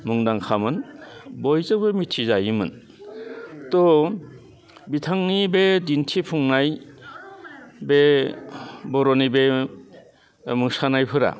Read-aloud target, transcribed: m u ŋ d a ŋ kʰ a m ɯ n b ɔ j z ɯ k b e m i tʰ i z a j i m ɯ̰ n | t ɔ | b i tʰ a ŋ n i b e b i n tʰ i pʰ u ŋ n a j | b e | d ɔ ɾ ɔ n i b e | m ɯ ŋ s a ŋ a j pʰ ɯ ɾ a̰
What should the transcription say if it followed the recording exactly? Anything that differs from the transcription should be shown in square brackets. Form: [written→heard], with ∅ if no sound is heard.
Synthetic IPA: m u ŋ d a ŋ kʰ a m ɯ n b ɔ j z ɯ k b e m i tʰ i z a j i m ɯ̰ n | t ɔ | b i tʰ a ŋ n i b e [b→d] i n tʰ i pʰ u ŋ n a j | b e | [d→b] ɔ ɾ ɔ n i b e | m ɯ ŋ s a [ŋ→n] a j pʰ ɯ ɾ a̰